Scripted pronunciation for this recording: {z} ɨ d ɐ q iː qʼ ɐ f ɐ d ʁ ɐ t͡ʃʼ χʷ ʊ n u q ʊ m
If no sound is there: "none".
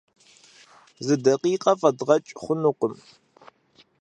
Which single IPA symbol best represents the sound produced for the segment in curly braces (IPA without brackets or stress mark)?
z